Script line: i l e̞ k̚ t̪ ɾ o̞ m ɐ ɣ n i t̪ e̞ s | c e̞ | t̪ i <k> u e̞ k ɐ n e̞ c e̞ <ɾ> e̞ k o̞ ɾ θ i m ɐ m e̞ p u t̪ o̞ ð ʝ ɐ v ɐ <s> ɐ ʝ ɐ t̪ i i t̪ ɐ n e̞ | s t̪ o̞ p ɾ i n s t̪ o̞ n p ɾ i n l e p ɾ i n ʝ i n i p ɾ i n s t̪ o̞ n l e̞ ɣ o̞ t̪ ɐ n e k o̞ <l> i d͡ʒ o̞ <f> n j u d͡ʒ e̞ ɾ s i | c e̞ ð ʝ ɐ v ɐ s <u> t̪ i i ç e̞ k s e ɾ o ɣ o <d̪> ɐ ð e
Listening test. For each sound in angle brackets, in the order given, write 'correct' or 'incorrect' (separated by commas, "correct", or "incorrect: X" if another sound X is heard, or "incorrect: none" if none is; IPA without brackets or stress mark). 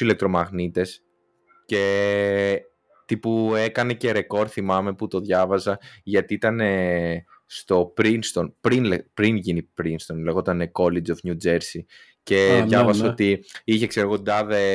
incorrect: p, correct, incorrect: z, correct, correct, incorrect: o, correct